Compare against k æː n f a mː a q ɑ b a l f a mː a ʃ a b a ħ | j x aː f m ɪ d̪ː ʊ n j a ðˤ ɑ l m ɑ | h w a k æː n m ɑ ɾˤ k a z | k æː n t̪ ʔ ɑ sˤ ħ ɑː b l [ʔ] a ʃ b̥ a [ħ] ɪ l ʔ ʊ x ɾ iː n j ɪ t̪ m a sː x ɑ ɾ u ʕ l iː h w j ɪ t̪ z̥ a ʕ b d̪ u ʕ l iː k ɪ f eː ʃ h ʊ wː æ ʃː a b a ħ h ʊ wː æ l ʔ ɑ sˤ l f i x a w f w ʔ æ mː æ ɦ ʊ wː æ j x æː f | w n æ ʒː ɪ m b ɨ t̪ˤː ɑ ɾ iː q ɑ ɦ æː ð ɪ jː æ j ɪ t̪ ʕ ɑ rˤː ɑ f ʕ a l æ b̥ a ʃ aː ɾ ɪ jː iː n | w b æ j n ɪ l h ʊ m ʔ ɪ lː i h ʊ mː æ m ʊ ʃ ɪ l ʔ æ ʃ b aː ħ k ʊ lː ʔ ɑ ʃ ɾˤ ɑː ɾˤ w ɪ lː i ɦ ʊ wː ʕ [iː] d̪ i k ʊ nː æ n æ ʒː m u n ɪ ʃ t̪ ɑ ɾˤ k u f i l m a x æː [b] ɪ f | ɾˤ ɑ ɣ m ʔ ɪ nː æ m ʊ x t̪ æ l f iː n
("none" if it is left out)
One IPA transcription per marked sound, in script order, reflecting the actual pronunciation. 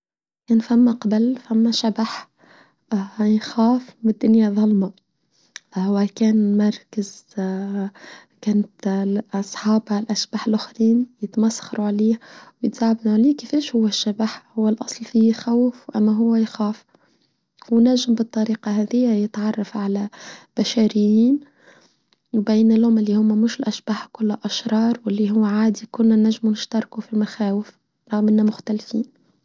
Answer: ʔ, ħ, aː, w

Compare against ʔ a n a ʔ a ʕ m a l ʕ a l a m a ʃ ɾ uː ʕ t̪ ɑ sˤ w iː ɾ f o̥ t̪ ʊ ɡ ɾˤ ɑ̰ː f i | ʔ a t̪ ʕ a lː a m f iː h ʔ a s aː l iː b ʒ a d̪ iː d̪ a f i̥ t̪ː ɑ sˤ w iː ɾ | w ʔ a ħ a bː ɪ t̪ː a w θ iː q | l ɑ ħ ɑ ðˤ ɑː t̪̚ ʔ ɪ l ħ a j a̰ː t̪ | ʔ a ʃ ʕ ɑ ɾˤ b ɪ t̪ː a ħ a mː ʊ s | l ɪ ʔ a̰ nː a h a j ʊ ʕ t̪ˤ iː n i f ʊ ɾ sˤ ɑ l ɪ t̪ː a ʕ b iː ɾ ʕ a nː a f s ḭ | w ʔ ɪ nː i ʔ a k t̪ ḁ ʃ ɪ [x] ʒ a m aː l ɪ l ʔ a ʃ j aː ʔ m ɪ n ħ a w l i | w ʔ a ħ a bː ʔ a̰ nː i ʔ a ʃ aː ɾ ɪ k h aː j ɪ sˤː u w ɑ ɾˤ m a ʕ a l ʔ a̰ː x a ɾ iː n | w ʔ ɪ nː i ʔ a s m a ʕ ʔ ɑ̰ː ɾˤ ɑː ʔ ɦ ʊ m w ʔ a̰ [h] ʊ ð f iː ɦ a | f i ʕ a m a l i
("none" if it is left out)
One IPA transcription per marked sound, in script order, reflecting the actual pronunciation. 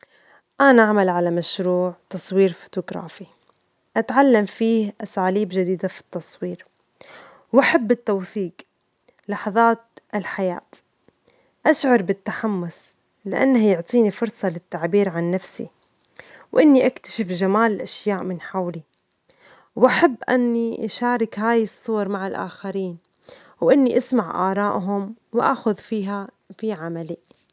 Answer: f, x

